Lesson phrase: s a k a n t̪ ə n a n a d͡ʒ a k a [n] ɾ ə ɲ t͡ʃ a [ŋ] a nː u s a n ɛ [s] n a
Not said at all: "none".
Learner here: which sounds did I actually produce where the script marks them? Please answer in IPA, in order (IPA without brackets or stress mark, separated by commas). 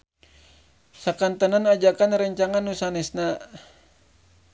n, ŋ, s